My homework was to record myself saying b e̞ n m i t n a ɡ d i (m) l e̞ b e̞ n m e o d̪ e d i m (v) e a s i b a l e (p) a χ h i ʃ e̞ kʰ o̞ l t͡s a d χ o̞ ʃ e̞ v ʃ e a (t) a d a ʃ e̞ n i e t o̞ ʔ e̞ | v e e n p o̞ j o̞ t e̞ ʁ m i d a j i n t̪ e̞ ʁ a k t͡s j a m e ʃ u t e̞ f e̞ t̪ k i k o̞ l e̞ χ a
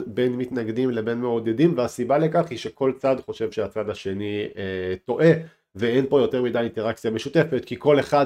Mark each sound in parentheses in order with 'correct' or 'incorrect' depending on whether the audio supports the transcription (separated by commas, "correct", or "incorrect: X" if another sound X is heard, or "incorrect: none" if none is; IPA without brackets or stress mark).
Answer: correct, correct, incorrect: k, incorrect: t͡s